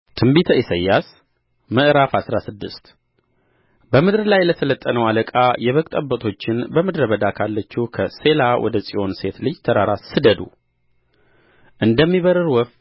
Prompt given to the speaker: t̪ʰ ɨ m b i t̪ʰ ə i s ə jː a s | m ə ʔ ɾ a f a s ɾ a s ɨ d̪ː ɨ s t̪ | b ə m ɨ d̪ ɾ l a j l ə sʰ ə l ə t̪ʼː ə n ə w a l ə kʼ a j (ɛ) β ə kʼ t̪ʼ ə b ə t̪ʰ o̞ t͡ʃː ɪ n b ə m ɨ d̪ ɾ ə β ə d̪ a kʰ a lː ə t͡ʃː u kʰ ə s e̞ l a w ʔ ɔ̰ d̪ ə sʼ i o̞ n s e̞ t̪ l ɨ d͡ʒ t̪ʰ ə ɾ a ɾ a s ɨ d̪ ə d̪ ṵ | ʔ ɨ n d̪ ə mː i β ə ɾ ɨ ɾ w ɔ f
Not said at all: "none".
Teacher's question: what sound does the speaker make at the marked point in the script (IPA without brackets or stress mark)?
ɛ